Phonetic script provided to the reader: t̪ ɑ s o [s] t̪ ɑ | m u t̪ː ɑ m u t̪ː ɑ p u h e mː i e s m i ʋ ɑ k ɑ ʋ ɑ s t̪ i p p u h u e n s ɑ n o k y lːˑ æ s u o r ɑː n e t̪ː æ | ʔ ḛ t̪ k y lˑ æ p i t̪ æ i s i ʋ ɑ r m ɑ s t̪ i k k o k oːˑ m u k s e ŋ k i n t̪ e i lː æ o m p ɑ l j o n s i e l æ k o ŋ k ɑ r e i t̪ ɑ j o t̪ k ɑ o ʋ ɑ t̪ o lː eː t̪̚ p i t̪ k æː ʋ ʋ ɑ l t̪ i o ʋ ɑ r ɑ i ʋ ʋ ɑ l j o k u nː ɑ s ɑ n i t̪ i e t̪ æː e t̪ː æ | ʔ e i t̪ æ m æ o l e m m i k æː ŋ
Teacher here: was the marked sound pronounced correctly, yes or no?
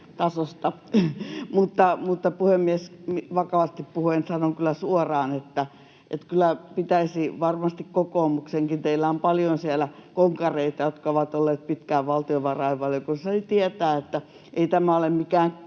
yes